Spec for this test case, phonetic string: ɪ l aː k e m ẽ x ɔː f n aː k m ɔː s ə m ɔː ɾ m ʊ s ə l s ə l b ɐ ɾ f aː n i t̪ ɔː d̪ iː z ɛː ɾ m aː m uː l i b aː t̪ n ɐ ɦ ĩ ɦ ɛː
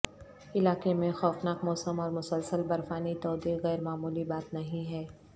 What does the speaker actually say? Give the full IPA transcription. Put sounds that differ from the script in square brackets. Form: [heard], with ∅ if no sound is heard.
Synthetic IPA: ɪ l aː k e m ẽ x ɔː f n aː k m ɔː s ə m ɔː ɾ m ʊ s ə l s ə l b ɐ ɾ f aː n i t̪ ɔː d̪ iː [ɣ] ɛː ɾ m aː m uː l i b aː t̪ n ɐ ɦ ĩ ɦ ɛː